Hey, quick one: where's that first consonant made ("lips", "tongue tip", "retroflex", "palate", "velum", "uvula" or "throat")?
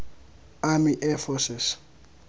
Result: lips